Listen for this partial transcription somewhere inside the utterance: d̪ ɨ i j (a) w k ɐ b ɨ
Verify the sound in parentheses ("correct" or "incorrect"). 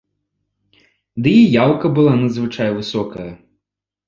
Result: correct